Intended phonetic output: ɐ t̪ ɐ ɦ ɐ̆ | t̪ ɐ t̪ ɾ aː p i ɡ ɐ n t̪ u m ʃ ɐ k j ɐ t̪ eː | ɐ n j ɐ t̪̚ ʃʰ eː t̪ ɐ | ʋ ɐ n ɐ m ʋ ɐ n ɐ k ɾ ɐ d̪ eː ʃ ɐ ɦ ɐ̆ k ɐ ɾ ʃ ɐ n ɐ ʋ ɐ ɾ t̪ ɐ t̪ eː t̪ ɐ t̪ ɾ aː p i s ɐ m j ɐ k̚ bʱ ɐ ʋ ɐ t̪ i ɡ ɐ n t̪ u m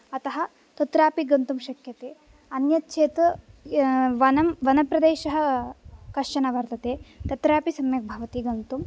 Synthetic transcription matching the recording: ɐ t̪ ɐ ɦ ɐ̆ | t̪ ɐ t̪ ɾ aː p i ɡ ɐ n t̪ u m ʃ ɐ k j ɐ t̪ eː | ɐ n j ɐ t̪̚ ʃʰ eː t̪ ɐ | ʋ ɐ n ɐ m ʋ ɐ n ɐ p ɾ ɐ d̪ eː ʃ ɐ ɦ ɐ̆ k ɐ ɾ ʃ ɐ n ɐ ʋ ɐ ɾ t̪ ɐ t̪ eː t̪ ɐ t̪ ɾ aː p i s ɐ m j ɐ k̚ bʱ ɐ ʋ ɐ t̪ i ɡ ɐ n t̪ u m

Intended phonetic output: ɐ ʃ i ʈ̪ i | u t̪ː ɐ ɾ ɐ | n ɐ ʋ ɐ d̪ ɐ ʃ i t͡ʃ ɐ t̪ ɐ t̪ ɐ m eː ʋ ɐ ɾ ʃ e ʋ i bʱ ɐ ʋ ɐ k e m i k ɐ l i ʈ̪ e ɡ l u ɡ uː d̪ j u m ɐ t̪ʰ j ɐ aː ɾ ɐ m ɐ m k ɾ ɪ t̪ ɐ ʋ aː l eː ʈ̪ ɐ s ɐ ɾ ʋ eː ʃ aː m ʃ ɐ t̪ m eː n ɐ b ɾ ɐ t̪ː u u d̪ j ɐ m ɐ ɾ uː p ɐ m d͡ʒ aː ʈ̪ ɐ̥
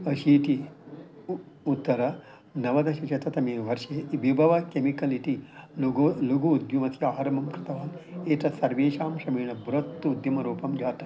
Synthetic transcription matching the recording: ɐ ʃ i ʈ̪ i | u t̪ː ɐ ɾ ɐ | n ɐ ʋ ɐ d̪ ɐ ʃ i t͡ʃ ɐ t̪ ɐ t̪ ɐ m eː ʋ ɐ ɾ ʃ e ʋ i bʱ ɐ ʋ ɐ k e m i k ɐ l i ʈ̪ i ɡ l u ɡ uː d̪ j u m ɐ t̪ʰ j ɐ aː ɾ ɐ m ɐ m k ɾ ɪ t̪ ɐ ʋ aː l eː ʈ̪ ɐ s ɐ ɾ ʋ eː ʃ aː m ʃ ɐ m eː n ɐ b ɾ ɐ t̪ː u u d̪ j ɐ m ɐ ɾ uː p ɐ m d͡ʒ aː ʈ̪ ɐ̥

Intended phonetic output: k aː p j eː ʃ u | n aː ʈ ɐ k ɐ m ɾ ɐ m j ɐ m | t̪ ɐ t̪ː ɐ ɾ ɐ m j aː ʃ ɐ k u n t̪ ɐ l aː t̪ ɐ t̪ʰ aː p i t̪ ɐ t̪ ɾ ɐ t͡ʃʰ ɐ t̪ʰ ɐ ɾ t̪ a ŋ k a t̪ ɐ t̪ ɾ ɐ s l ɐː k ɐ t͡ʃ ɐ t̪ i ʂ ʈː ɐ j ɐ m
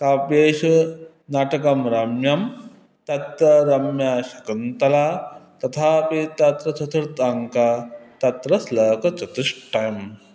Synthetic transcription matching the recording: k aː p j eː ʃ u | n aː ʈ ɐ k ɐ m ɾ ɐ m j ɐ m | t̪ ɐ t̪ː ɐ ɾ ɐ m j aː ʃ ɐ k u n t̪ ɐ l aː t̪ ɐ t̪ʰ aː p i t̪ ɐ t̪ ɾ ɐ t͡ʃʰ ɐ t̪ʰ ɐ ɾ t̪ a ŋ k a t̪ ɐ t̪ ɾ ɐ s l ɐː k ɐ t͡ʃ ɐ t̪ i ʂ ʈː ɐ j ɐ m

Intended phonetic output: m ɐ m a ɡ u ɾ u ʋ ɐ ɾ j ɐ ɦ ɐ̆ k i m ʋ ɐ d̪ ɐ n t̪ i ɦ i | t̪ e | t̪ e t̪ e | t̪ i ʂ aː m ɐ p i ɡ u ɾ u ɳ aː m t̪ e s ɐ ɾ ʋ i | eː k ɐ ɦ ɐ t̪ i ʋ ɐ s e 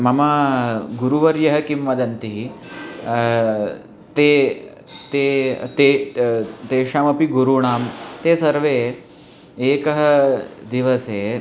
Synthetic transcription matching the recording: m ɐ m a ɡ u ɾ u ʋ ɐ ɾ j ɐ ɦ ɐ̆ k i m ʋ ɐ d̪ ɐ n t̪ i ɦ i | t̪ e | t̪ e t̪ e | t̪ e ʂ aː m ɐ p i ɡ u ɾ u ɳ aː m t̪ e s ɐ ɾ ʋ e | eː k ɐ ɦ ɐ d̪ i ʋ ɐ s e

